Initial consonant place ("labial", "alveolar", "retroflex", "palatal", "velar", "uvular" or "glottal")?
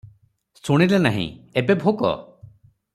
alveolar